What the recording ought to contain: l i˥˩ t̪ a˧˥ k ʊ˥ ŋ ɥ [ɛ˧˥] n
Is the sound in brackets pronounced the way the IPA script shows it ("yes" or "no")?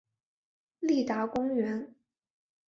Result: yes